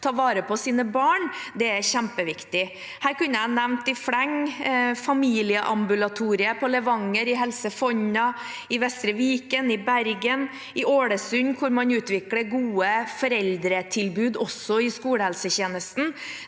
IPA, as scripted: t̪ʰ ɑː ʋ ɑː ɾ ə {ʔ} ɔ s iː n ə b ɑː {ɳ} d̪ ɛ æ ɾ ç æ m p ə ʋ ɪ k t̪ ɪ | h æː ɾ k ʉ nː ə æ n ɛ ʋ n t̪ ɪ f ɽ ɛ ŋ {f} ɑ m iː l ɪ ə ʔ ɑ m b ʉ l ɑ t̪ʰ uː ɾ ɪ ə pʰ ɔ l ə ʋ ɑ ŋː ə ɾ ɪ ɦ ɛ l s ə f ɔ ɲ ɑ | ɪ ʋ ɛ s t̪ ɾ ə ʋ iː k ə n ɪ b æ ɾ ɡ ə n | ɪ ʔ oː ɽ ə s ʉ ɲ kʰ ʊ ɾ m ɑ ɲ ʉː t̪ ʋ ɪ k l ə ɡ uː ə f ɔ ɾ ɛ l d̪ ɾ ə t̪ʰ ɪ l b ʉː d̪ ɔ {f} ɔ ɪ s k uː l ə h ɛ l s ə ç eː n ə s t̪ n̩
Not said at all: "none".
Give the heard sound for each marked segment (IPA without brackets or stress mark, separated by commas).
p, ɳ, f, s